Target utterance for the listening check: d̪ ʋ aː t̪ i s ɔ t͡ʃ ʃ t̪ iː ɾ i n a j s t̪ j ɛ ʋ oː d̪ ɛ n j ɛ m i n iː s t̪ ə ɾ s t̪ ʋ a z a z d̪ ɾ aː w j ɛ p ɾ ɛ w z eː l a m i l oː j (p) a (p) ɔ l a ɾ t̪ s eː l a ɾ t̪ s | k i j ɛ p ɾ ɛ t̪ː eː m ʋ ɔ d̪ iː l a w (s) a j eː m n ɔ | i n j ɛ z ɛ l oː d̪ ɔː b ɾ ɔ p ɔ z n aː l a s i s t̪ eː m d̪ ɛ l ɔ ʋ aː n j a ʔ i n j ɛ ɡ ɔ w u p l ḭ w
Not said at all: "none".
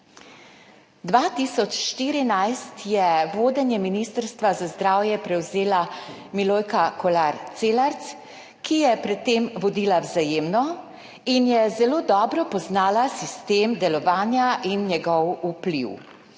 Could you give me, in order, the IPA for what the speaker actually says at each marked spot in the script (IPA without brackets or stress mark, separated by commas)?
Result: k, k, z